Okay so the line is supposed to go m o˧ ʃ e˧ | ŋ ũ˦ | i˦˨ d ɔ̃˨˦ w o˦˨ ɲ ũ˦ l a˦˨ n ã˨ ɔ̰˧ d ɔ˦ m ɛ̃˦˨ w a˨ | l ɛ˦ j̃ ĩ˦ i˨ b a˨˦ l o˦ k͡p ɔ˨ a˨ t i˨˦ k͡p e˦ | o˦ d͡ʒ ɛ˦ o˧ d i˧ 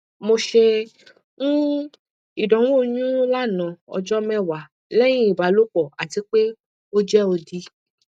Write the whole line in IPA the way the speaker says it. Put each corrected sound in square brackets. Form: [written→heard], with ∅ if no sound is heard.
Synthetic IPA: m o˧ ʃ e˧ | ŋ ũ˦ | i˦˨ d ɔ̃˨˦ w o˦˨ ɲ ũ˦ l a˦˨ n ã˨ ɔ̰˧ [d→d͡ʒ] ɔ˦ m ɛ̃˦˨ w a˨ | l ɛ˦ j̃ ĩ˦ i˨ b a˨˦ l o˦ k͡p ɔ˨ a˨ t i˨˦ k͡p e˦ | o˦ d͡ʒ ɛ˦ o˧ d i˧